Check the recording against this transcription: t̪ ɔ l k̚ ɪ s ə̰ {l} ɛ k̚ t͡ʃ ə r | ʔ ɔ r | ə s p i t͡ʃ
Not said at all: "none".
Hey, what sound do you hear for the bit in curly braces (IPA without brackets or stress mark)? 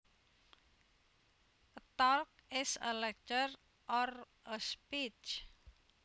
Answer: l